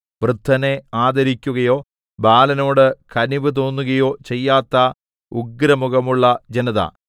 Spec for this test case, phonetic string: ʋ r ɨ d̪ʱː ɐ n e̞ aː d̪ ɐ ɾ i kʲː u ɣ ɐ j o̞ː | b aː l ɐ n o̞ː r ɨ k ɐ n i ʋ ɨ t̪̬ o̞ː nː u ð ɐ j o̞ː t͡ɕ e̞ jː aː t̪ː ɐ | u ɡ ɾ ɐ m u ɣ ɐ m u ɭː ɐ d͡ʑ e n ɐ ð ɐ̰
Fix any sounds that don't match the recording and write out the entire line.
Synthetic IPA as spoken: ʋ r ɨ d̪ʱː ɐ n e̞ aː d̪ ɐ ɾ i kʲː u ɣ ɐ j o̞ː | b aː l ɐ n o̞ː ɽ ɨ k ɐ n i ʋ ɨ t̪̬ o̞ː nː u ɣ ɐ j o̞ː t͡ɕ e̞ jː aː t̪ː ɐ | u ɡ ɾ ɐ m u ɣ ɐ m u ɭː ɐ d͡ʑ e n ɐ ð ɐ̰

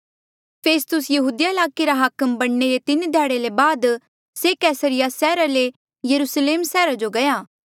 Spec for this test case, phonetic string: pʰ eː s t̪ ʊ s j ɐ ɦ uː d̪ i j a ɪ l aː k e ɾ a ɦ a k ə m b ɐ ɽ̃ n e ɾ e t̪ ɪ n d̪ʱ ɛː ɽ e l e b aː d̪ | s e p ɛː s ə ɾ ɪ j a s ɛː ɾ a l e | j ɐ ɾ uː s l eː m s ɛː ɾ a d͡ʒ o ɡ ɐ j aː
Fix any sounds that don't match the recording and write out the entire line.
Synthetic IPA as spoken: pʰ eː s t̪ ʊ s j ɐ ɦ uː d̪ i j a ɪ l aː k e ɾ a ɦ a k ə m b ɐ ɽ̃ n e ɾ e t̪ ɪ n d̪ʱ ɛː ɽ e l e b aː d̪ | s e k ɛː s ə ɾ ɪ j a s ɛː ɾ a l e | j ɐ ɾ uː s l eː m s ɛː ɾ a d͡ʒ o ɡ ɐ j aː

